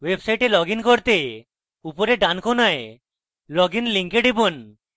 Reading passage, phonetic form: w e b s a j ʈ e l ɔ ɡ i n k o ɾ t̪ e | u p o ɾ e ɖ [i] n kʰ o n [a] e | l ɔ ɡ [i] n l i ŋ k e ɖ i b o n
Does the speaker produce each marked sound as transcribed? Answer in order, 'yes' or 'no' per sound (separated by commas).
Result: no, yes, yes